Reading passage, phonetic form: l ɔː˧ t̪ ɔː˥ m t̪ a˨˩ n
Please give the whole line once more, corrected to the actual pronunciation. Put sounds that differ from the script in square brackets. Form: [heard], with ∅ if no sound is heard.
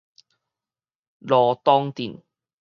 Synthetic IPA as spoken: l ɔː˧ t̪ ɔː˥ [ŋ] t̪ [i˨˩] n